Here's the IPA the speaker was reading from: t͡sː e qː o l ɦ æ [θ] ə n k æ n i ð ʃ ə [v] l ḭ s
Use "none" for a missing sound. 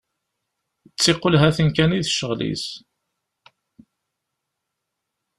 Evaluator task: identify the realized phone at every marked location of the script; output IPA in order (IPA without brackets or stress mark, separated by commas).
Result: θ, ʁ